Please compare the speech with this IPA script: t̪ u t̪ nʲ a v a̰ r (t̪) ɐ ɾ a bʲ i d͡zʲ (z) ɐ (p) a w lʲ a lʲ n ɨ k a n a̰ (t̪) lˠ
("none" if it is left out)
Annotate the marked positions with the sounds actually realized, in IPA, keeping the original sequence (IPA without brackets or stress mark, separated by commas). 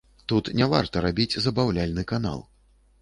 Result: t̪, z, b, none